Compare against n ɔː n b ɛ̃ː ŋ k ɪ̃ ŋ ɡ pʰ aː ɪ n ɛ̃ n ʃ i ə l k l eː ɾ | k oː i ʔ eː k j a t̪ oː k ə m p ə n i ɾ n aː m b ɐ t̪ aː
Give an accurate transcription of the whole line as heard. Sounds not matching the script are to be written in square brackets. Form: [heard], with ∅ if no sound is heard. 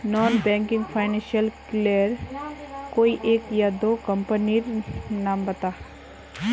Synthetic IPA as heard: n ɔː n b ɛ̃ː ŋ k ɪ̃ ŋ ɡ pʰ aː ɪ n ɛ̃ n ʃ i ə l k l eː ɾ | k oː i ʔ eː k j a [d̪] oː k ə m p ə n i ɾ n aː m b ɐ t̪ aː